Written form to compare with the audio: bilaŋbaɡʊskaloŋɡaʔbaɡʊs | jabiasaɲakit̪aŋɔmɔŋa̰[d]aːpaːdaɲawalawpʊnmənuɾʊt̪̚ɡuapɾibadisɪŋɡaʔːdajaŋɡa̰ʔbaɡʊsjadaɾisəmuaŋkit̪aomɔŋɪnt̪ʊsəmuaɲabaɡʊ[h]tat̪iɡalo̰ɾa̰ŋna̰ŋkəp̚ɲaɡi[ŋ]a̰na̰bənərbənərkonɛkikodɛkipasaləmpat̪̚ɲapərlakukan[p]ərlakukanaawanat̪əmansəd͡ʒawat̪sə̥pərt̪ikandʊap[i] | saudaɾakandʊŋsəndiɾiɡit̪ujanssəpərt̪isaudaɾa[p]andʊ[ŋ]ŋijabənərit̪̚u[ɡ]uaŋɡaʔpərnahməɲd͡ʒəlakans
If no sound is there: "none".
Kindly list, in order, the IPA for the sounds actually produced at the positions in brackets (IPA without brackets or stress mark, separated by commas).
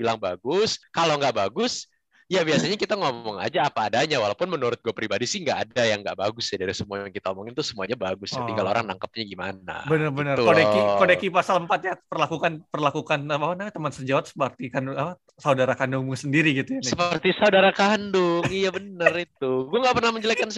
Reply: d͡ʒ, s, m, p, a, k, ŋ, ɡ